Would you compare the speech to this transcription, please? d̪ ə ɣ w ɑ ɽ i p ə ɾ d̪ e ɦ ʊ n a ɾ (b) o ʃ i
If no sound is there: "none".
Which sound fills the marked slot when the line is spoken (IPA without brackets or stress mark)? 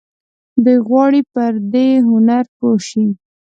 p